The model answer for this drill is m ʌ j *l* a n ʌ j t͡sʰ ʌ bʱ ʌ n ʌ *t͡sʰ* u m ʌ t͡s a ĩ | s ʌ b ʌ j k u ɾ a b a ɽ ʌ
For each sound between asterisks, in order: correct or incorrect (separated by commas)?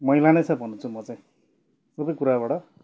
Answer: correct, correct